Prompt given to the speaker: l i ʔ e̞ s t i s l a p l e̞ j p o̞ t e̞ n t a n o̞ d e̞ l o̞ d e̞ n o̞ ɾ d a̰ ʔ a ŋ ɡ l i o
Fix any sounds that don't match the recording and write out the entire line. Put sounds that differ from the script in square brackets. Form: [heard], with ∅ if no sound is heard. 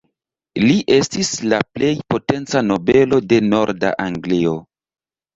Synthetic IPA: l i ʔ e̞ s t i s l a p l e̞ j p o̞ t e̞ n [t͡s] a n o̞ [b] e̞ l o̞ d e̞ n o̞ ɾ d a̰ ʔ a ŋ ɡ l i o